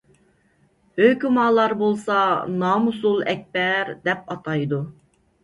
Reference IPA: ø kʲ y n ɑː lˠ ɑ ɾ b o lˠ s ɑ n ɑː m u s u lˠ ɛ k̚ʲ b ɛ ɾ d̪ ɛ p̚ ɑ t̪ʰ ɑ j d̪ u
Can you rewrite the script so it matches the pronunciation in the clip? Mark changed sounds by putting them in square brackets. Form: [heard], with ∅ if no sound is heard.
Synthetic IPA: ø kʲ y [m] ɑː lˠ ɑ ɾ b o lˠ s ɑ n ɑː m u s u lˠ ɛ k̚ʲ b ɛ ɾ d̪ ɛ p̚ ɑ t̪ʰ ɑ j d̪ u